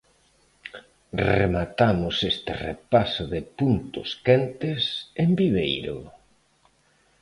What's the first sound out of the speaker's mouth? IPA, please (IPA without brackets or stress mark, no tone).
r